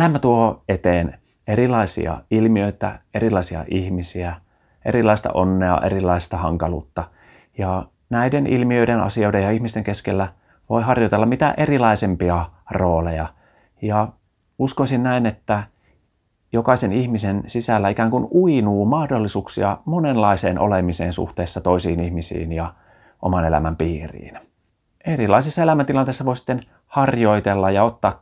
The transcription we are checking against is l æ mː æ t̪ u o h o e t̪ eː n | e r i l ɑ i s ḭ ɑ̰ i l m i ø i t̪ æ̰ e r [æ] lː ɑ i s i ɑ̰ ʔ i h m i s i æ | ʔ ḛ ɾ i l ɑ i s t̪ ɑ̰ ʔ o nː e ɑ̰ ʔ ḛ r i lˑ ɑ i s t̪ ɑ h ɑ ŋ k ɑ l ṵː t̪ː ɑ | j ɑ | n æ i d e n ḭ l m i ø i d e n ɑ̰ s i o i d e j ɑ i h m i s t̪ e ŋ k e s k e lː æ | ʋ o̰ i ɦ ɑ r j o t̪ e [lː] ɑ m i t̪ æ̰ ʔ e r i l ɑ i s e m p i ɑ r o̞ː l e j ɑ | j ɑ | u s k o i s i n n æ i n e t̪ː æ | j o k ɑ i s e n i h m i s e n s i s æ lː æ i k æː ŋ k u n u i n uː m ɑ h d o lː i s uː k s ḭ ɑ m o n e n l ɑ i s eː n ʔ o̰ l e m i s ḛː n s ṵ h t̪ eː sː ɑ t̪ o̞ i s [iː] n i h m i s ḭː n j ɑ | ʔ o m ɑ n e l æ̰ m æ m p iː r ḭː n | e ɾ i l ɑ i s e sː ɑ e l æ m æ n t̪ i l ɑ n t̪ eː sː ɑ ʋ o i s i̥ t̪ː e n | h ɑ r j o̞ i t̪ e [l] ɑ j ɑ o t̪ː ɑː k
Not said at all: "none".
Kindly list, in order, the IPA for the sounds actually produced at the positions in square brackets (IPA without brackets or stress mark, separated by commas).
i, lː, iː, lː